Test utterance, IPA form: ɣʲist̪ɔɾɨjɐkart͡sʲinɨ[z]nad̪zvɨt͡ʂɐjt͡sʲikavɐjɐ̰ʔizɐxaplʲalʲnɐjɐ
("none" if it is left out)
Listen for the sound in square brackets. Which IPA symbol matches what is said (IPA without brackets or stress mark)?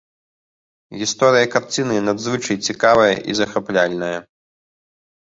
none